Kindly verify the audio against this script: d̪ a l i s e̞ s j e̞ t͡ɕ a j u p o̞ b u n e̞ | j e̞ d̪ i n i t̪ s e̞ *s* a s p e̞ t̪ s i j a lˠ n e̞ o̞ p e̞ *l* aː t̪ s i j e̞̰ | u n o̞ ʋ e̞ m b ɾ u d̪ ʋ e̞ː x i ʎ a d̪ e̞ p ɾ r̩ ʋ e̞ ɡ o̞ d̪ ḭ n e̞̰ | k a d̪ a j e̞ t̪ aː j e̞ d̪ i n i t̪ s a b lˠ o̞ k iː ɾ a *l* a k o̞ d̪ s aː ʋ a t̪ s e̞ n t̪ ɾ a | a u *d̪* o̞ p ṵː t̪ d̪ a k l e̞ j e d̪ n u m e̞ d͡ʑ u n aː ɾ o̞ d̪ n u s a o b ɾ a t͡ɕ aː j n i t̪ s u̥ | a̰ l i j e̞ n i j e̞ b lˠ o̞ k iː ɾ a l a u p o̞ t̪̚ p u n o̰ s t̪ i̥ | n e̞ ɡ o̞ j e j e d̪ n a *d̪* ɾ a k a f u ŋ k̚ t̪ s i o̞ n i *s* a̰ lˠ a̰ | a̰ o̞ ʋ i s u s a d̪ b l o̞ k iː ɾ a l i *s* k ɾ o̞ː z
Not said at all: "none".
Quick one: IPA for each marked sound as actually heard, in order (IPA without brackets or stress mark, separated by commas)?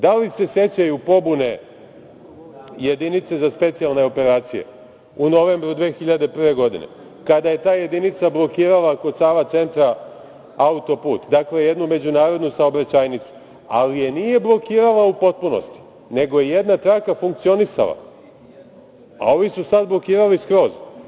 z, ɾ, l, t̪, t̪, s, s